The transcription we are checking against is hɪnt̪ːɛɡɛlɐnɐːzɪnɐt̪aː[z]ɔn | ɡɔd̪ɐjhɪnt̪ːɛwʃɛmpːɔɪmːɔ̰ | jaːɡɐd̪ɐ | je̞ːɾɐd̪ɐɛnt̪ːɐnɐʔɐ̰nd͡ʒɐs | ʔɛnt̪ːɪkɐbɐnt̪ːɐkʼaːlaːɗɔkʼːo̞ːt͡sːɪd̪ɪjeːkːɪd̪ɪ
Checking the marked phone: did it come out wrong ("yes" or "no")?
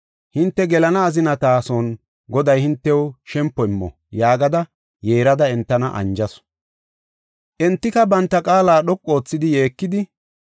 yes